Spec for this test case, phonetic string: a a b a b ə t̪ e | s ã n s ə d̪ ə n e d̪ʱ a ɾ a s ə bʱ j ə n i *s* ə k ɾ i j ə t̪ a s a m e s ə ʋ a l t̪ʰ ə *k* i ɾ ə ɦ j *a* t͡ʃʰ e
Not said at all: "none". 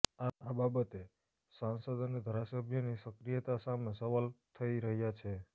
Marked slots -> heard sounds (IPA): s, none, a

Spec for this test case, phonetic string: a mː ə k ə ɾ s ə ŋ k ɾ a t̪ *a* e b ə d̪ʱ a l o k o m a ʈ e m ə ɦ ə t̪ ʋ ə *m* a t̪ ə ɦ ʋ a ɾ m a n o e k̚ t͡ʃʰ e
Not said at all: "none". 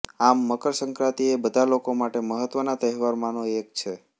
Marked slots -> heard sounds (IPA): i, n

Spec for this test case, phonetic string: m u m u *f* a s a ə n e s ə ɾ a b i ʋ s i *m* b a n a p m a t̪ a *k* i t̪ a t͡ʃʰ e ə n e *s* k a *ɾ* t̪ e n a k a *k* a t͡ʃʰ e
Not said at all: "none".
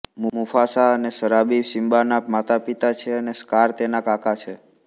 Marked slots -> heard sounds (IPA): f, m, p, s, ɾ, k

